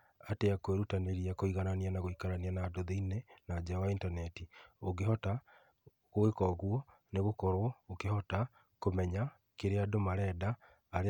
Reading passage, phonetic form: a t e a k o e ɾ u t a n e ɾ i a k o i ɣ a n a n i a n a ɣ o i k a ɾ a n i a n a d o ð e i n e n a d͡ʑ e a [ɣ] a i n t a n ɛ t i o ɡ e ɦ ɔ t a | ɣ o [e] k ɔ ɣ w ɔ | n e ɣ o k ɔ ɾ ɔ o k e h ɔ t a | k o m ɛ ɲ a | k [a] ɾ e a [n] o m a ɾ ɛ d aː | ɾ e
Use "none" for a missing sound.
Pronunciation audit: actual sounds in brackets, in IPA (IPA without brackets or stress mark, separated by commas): w, e, e, d